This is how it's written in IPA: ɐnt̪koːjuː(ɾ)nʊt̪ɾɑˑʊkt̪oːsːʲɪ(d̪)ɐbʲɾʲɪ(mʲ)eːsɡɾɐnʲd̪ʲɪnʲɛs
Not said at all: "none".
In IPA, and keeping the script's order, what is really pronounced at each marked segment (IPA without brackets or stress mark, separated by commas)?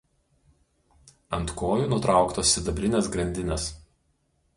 none, d̪, nʲ